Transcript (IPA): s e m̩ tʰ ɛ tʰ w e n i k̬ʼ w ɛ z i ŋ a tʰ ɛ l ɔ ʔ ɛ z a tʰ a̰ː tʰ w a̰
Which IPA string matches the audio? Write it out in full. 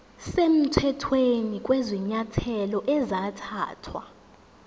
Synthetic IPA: s e m̩ tʰ ɛ tʰ w e n i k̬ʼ w ɛ z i ɲ a tʰ ɛ l ɔ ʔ ɛ z a tʰ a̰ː tʰ w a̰